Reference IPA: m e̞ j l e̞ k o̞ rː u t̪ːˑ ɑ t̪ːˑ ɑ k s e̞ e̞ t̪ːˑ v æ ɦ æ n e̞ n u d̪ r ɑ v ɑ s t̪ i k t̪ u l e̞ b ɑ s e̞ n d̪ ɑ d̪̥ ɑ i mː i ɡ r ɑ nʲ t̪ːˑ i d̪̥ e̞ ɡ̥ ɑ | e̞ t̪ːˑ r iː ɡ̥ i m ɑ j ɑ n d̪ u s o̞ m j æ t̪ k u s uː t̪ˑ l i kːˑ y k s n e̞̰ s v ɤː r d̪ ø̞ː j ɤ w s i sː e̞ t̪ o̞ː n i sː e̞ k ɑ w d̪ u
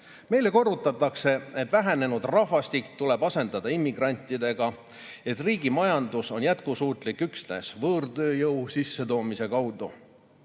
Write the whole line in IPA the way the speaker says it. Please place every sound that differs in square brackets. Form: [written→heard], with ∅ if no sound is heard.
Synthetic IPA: m e̞ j l e̞ k o̞ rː u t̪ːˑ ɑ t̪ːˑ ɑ k s e̞ e̞ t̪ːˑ v æ ɦ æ n e̞ n u d̪ r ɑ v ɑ s t̪ i k t̪ u l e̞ b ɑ s e̞ n d̪ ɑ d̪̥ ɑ i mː i ɡ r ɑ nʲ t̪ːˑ i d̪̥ e̞ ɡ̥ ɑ | e̞ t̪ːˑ r iː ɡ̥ i m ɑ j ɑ n d̪ u s o̞ [m→n] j æ t̪ k u s uː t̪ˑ l i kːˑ y k s n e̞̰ s v ɤː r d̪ ø̞ː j ɤ w s i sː e̞ t̪ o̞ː [n→m] i [sː→s] e̞ k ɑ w d̪ u

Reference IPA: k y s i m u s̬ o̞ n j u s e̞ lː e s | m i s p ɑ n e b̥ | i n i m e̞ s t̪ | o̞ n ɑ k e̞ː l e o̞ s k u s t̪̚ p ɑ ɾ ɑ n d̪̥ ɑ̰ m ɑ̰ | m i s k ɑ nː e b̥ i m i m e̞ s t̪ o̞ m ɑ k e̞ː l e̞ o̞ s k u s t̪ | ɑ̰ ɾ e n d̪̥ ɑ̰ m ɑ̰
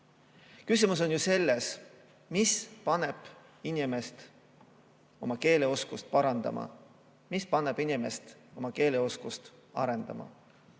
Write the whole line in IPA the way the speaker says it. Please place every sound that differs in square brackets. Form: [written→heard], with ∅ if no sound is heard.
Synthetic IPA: k y s i m u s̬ o̞ n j u s e̞ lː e s | m i s p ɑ n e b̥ | i n i m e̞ s t̪ | o̞ [n→m] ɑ k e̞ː l e o̞ s k u s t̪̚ p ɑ ɾ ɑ n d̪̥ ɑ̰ m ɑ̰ | m i s [k→p] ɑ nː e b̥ i [m→n] i m e̞ s t̪ o̞ m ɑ k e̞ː l e̞ o̞ s k u s t̪ | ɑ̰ ɾ e n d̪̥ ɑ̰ m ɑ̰

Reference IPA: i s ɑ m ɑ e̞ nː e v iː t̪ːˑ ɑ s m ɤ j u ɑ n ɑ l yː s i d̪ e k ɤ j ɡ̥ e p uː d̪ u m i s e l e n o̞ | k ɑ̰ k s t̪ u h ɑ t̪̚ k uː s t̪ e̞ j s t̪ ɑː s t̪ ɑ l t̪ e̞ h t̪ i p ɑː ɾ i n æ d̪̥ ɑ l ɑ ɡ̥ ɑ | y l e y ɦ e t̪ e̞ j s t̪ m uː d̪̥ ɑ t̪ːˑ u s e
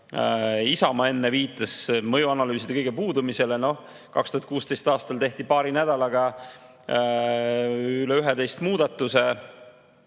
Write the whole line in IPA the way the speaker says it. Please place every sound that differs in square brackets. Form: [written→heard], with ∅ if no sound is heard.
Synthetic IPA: i s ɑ m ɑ e̞ nː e v iː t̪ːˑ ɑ s m ɤ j u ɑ n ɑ l yː s i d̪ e k ɤ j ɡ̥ e p uː d̪ u m i s e l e n o̞ | k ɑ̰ k s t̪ u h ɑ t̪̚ k uː s t̪ e̞ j s t̪ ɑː s t̪ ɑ l t̪ e̞ h t̪ i p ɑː ɾ i n æ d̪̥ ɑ l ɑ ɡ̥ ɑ | y l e y ɦ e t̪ e̞ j s t̪ m uː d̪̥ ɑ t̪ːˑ u s e

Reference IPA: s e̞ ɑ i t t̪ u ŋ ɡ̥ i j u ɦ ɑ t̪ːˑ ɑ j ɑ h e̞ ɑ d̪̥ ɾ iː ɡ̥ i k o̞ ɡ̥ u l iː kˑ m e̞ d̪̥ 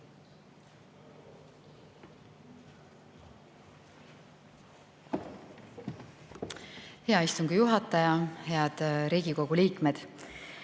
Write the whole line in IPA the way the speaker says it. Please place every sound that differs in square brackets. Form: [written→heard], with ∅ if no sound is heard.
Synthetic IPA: [s→h] e̞ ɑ i [t→s] t̪ u ŋ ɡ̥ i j u ɦ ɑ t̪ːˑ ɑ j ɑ h e̞ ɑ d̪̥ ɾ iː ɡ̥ i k o̞ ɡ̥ u l iː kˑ m e̞ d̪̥

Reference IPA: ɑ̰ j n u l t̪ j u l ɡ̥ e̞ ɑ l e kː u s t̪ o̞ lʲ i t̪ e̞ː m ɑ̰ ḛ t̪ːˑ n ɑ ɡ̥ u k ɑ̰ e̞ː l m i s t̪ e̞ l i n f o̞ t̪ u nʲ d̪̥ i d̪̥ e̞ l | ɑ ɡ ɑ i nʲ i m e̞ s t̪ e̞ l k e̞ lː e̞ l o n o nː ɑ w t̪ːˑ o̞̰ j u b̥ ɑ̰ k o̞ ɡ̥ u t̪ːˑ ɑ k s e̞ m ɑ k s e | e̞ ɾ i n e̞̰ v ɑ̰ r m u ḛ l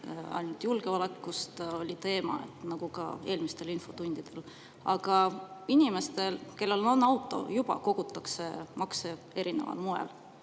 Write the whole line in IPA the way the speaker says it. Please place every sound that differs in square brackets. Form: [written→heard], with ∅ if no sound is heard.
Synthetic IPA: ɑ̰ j n u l t̪ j u l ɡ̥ e̞ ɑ l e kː u s t̪ o̞ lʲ i t̪ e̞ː m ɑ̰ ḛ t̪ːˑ n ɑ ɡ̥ u k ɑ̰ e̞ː l m i s t̪ e̞ l i n f o̞ t̪ u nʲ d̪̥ i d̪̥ e̞ l | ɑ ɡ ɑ i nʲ i m e̞ s t̪ e̞ l k e̞ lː e̞ l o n o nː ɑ w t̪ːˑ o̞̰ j u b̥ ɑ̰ k o̞ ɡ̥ u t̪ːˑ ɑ k s e̞ m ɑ k s e | e̞ ɾ i n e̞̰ v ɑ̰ [r→l] m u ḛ l

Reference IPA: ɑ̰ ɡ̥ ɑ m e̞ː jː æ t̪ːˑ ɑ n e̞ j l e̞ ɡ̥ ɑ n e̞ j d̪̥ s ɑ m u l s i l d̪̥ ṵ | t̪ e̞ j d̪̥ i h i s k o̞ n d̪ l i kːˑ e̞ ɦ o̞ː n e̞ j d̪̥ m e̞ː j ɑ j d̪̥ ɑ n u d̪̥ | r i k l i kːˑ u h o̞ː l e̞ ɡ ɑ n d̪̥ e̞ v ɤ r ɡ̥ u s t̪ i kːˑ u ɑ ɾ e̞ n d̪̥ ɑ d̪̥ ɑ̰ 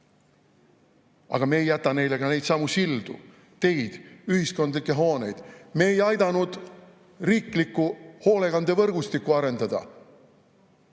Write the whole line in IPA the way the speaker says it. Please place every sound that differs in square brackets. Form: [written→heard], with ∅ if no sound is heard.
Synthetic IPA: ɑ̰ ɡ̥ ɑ m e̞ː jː æ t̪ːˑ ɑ n e̞ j l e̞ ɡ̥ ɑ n e̞ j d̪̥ s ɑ m u [l→∅] s i l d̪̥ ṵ | t̪ e̞ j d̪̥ [i→y] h i s k o̞ n d̪ l i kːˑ e̞ ɦ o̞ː n e̞ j d̪̥ m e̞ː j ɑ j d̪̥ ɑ n u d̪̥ | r [i→iː] k l i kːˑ u h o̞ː l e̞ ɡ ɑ n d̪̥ e̞ v ɤ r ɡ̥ u s t̪ i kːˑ u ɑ ɾ e̞ n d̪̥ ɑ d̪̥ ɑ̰

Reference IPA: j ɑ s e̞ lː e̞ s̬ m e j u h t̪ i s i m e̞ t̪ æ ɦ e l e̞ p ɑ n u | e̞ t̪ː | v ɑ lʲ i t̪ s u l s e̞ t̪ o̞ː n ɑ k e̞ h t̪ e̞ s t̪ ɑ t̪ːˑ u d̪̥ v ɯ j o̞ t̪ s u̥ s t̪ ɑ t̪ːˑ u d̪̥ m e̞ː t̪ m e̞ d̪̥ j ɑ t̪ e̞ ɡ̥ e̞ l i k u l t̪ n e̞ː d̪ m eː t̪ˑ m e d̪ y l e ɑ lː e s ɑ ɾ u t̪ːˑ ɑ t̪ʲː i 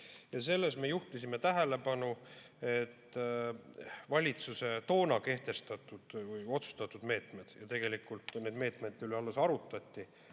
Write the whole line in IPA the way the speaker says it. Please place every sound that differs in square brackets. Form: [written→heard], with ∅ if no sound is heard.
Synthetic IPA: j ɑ s e̞ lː e̞ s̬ m e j u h t̪ i s i m e̞ t̪ æ ɦ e l e̞ p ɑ n u | e̞ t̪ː | v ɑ lʲ i t̪ s u [l→∅] s e̞ t̪ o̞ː n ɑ k e̞ h t̪ e̞ s t̪ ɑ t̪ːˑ u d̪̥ v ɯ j o̞ t̪ s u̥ s t̪ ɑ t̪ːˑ u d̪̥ m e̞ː t̪ m e̞ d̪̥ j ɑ t̪ e̞ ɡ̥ e̞ l i k u l t̪ n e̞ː d̪ m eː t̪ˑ m e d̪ y l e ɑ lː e s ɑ ɾ u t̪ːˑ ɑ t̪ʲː i

